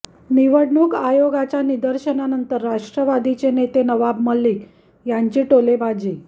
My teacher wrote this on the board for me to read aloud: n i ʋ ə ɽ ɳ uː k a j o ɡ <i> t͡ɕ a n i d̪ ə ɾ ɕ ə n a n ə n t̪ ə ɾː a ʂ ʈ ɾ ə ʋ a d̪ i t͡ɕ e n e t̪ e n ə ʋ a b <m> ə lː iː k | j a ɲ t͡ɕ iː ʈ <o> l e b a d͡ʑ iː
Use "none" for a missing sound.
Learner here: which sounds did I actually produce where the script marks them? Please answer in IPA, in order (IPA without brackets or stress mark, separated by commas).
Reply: a, m, o